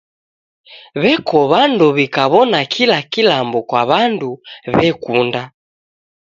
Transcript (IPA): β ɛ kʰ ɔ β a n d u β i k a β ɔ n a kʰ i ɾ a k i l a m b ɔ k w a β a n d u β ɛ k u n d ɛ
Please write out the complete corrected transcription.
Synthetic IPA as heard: β ɛ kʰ ɔ β a n d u β i k a β ɔ n a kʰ i l a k i l a m b ɔ k w a β a n d u β ɛ k u n d a